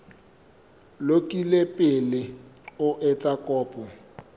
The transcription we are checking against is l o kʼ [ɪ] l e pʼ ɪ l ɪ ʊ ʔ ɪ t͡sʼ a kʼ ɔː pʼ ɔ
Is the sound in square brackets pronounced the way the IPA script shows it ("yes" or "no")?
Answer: no